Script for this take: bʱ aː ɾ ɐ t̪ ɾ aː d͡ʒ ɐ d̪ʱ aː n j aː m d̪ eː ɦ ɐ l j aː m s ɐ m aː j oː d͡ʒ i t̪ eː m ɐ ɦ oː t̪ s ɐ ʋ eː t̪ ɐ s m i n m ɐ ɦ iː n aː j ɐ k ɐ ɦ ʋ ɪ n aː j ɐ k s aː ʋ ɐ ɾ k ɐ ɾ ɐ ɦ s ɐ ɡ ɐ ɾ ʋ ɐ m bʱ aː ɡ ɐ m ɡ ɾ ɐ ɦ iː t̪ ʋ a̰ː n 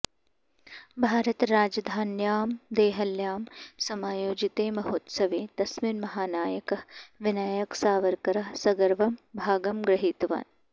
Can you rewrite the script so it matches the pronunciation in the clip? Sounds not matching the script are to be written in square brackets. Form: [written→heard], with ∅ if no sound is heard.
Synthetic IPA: bʱ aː ɾ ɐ t̪ ɾ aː d͡ʒ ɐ d̪ʱ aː n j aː m d̪ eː ɦ ɐ l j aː m s ɐ m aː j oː d͡ʒ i t̪ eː m ɐ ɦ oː t̪ s ɐ ʋ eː t̪ ɐ s m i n m ɐ ɦ [iː→aː] n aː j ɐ k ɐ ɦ ʋ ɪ n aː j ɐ k s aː ʋ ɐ ɾ k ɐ ɾ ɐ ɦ s ɐ ɡ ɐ ɾ ʋ ɐ m bʱ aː ɡ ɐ m ɡ ɾ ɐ ɦ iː t̪ ʋ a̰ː n